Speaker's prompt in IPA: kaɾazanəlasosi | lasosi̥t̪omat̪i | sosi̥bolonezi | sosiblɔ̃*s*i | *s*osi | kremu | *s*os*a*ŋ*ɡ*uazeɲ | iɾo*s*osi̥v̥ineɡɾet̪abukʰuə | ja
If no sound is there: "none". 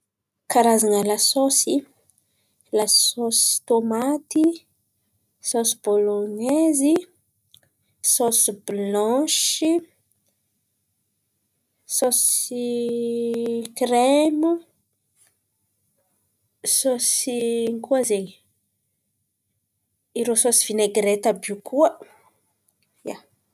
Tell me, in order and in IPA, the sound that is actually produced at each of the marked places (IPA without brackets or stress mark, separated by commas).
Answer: ʃ, s, s, i, k, s